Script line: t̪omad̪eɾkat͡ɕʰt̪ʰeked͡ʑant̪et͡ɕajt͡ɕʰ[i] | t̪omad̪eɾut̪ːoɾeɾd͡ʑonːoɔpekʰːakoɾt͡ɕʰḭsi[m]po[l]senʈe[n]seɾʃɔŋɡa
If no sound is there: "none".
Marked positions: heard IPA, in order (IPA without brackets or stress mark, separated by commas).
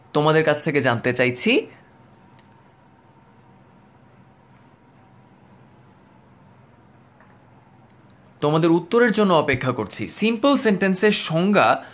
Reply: i, m, l, n